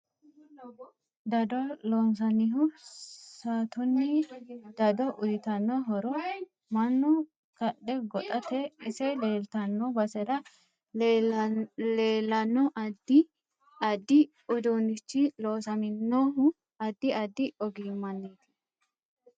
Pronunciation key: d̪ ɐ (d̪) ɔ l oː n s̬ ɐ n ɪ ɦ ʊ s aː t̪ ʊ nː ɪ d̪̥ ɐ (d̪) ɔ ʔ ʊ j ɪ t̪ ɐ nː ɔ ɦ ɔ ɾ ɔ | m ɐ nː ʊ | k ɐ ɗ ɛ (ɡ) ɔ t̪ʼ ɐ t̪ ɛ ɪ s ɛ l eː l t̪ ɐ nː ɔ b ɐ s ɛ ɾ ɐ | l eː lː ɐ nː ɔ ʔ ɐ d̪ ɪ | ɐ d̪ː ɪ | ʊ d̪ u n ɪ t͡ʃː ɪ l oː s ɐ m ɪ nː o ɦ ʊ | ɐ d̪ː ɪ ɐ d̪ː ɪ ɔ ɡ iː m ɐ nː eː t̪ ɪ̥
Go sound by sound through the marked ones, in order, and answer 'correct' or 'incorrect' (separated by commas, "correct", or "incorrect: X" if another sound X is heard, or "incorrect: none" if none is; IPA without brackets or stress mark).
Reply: correct, correct, correct